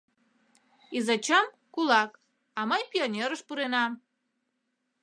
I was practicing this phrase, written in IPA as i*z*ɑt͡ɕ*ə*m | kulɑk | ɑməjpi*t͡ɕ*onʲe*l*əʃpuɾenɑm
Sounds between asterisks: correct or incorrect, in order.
correct, incorrect: ɑ, incorrect: none, incorrect: ɾ

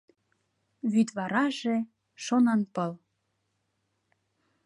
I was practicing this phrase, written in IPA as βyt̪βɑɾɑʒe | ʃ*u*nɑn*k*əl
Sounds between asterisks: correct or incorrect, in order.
incorrect: o, incorrect: p

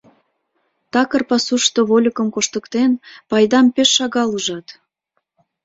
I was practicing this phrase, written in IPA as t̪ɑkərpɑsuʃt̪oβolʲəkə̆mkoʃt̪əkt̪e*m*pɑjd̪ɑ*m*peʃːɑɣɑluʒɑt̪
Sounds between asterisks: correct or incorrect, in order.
incorrect: n, correct

